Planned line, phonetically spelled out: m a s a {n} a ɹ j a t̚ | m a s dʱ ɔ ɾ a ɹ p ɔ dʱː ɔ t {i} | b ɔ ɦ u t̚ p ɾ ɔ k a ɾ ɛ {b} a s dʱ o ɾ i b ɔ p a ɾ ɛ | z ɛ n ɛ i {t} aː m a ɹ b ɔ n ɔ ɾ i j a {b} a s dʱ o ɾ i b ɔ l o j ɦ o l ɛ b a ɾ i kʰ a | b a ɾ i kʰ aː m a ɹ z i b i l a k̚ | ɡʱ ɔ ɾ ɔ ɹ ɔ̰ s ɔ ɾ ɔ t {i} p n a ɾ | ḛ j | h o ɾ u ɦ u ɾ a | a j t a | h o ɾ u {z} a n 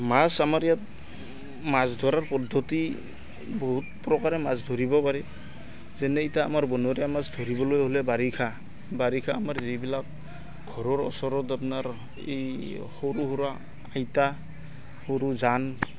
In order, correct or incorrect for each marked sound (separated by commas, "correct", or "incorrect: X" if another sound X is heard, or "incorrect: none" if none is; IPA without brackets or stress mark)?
incorrect: m, correct, incorrect: m, correct, incorrect: m, incorrect: a, correct